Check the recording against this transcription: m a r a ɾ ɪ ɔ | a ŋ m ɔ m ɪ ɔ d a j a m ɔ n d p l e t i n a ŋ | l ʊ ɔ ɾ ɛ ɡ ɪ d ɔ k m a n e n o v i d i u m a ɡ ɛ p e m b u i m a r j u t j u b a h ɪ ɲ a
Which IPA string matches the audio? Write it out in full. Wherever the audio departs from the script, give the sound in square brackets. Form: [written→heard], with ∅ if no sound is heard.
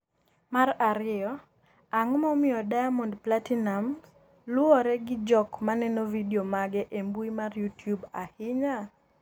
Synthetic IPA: m a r a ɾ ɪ ɔ | a ŋ m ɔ m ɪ ɔ d a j a m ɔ n d p l [e→a] t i n a [ŋ→m] | l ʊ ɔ ɾ ɛ ɡ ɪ [d→d͡ʒ] ɔ k m a n [e→ɛ] n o v i d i [u→o] m a ɡ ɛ [p→ʔ] e m b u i m a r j u t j u b a h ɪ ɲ a